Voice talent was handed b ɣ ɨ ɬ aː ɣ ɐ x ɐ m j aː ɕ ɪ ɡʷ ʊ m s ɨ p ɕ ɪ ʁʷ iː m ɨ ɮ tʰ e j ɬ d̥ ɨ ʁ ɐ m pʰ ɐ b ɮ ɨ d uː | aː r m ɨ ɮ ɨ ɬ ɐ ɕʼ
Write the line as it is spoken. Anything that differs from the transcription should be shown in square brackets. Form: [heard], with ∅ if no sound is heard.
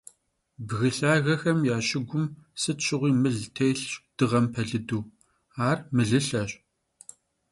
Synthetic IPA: b ɣ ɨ ɬ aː ɣ ɐ x ɐ m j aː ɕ ɪ ɡʷ ʊ m s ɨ [t] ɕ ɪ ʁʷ iː m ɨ ɮ tʰ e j ɬ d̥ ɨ ʁ ɐ m pʰ ɐ [∅] ɮ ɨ d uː | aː r m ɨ ɮ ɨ ɬ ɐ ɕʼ